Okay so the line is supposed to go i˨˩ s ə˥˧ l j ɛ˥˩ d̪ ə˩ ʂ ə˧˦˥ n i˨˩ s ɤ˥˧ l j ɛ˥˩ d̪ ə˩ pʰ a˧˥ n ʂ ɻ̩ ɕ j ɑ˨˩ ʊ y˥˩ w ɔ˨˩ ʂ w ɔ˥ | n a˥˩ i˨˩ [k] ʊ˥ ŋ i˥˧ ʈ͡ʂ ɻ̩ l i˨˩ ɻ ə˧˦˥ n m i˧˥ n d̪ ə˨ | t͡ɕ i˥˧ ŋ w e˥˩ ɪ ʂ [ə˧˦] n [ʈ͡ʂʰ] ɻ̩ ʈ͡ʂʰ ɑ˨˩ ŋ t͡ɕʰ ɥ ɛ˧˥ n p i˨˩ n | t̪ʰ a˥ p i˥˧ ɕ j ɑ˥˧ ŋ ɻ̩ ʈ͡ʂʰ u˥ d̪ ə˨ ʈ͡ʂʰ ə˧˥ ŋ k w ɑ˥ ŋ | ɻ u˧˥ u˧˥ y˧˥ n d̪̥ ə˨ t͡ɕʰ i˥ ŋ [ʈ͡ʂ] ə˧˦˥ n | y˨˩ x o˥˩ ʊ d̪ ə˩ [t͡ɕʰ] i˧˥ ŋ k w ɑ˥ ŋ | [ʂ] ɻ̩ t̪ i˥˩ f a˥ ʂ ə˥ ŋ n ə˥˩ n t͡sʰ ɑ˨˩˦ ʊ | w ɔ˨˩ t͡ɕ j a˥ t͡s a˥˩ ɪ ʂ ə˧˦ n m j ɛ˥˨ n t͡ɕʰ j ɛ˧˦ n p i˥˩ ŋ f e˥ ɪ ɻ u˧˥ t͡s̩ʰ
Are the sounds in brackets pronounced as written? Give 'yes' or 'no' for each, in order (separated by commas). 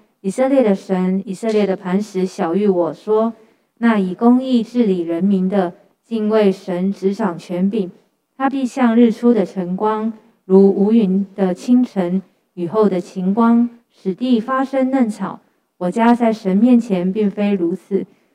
yes, yes, no, no, yes, yes